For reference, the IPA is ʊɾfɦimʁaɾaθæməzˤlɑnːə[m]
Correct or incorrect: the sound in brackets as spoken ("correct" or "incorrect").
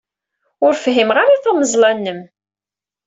correct